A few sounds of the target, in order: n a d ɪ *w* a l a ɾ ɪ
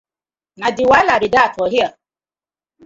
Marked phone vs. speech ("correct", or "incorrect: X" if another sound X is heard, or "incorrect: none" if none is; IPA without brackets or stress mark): correct